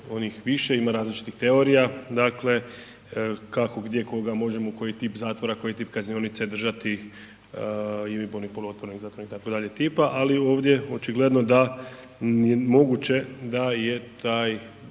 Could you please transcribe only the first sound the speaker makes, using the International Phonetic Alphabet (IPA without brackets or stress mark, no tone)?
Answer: o̞